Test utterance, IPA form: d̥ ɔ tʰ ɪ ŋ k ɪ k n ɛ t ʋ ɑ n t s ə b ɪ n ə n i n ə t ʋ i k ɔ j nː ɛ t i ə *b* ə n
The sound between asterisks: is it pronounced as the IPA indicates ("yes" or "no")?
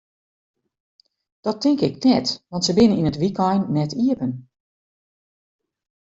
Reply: no